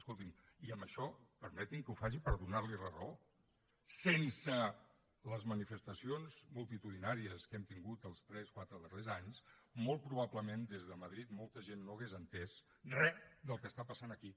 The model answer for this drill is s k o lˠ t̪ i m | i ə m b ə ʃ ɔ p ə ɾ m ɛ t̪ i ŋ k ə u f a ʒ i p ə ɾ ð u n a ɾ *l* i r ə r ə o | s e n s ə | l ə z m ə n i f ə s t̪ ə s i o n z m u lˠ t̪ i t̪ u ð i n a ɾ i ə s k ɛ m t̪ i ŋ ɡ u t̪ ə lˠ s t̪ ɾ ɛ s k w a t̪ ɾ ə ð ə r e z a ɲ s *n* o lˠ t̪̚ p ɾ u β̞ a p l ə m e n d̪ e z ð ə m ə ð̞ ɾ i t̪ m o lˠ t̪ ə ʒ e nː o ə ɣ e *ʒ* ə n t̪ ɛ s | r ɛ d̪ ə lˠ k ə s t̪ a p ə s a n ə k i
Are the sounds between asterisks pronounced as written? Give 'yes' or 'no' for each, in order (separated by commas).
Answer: yes, no, no